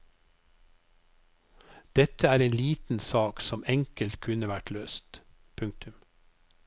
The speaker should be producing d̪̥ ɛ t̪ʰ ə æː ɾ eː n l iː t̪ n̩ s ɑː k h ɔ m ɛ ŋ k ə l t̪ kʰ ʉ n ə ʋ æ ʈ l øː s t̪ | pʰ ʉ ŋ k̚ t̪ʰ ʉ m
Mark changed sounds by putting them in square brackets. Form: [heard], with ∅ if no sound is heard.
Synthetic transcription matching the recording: d̪̥ ɛ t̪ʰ ə æː ɾ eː n l iː t̪ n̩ s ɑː k [s] ɔ m ɛ ŋ k ə l t̪ kʰ ʉ n ə ʋ æ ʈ l øː s t̪ | pʰ ʉ ŋ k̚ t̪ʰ ʉ m